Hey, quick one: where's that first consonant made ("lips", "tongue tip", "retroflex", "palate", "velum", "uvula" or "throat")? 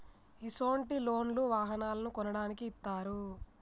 tongue tip